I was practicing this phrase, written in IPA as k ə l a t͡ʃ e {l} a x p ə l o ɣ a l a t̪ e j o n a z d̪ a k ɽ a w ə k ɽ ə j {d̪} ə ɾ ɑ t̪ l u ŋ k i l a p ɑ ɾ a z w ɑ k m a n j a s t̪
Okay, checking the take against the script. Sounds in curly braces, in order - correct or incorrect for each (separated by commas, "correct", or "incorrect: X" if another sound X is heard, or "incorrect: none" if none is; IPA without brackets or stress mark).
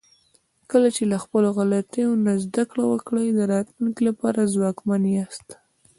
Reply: correct, correct